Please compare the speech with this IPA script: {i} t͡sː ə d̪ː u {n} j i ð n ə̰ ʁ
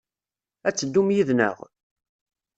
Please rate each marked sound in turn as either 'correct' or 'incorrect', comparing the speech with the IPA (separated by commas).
incorrect, incorrect